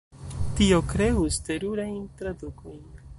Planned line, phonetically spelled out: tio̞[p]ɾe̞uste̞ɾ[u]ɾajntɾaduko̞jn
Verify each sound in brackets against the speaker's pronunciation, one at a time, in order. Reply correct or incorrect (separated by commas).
incorrect, correct